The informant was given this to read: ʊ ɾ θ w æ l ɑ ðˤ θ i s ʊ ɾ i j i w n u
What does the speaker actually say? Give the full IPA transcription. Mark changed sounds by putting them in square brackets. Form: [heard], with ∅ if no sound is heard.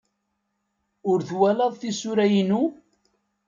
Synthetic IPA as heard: ʊ ɾ θ w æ l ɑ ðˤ θ i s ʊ ɾ [æ] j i [∅] n u